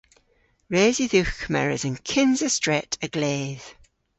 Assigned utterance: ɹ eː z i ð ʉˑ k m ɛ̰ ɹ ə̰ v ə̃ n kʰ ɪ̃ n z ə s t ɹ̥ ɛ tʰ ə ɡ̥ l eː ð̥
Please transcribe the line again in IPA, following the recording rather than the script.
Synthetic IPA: ɹ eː z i ð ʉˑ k m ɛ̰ ɹ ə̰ z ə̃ n kʰ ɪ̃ n z ə s t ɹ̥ ɛ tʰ ə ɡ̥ l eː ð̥